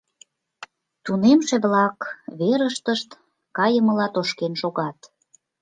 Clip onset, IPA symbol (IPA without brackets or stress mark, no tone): t̪